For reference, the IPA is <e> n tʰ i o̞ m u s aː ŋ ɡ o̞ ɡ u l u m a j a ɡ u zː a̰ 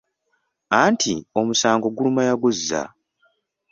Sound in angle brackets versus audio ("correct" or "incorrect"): incorrect